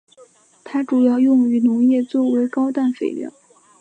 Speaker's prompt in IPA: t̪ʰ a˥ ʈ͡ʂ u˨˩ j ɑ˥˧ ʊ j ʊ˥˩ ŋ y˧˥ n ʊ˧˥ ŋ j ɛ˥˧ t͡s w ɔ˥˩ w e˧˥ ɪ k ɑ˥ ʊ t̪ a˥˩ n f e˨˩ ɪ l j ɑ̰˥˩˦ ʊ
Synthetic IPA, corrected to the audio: t̪ʰ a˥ ʈ͡ʂ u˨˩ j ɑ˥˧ ʊ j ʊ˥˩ ŋ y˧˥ n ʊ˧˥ ŋ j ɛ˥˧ t͡s w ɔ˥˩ w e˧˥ ɪ k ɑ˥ ʊ t̪ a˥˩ n f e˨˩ ɪ l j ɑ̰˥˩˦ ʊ